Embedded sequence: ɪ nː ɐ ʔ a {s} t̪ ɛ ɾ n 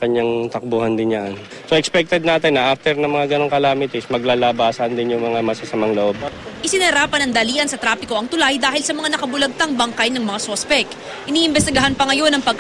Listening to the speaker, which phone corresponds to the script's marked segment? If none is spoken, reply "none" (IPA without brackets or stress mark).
f